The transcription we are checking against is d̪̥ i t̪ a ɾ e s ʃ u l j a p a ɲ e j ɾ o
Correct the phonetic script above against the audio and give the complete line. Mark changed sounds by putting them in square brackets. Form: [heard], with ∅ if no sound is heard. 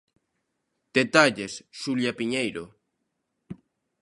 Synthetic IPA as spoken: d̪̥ [e] t̪ a [ʎ] e s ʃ u l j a p [i] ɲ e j ɾ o

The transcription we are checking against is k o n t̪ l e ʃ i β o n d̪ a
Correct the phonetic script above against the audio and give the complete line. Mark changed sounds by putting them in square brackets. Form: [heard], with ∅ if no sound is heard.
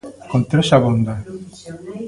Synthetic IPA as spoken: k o n t̪ [ɾ] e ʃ [a] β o n d̪ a

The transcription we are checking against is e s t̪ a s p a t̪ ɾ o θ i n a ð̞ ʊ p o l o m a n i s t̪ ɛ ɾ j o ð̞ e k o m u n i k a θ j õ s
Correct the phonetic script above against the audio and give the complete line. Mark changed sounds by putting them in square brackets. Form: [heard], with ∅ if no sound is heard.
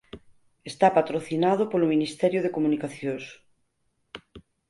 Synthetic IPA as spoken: e s t̪ a [∅] p a t̪ ɾ o θ i n a ð̞ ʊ p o l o m [i] n i s t̪ ɛ ɾ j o ð̞ e k o m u n i k a θ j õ s

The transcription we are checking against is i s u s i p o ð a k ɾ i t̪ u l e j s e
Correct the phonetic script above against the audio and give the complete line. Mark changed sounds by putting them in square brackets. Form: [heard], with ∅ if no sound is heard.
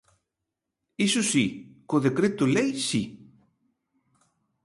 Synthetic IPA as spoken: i s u s i [k] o ð [e] k ɾ [e] t̪ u l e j s [i]

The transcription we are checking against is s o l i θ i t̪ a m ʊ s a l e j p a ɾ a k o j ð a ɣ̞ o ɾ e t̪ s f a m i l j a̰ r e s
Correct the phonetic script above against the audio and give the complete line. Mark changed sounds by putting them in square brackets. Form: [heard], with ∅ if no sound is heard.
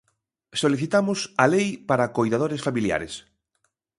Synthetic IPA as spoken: s o l i θ i t̪ a m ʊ s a l e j p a ɾ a k o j ð a [ð̞] o ɾ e [∅] s f a m i l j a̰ [ɾ] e s

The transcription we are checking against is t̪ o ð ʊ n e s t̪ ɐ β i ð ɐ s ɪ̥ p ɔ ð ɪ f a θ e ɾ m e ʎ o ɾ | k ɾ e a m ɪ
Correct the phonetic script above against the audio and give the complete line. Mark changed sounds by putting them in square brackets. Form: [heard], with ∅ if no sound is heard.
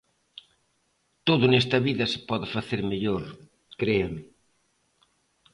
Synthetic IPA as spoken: t̪ o ð ʊ n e s t̪ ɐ β i ð ɐ s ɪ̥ p ɔ ð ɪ f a θ e ɾ m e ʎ o ɾ | k ɾ e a m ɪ

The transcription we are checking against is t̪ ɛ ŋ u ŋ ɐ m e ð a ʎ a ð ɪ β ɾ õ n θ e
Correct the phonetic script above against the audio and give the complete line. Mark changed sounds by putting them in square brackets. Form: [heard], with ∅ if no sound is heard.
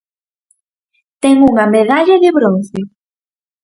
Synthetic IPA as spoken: t̪ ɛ ŋ u ŋ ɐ m e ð a ʎ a ð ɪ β ɾ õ n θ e

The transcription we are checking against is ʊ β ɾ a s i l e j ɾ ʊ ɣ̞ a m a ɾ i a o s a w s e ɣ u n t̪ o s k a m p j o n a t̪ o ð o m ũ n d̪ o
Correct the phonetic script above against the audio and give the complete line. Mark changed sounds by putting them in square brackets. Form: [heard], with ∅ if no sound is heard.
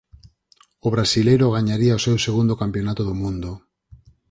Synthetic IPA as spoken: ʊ β ɾ a s i l e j ɾ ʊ ɣ̞ a [ɲ] a ɾ i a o s [e] w s e ɣ u n [d̪] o [∅] k a m p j o n a t̪ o ð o m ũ n d̪ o

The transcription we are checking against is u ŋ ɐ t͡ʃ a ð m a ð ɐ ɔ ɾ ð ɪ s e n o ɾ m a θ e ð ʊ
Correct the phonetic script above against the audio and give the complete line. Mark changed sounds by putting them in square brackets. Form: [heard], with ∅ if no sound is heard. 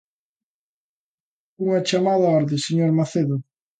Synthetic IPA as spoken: u ŋ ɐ t͡ʃ a [∅] m a ð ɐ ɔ ɾ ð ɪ s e [ɲ] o ɾ m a θ e ð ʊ

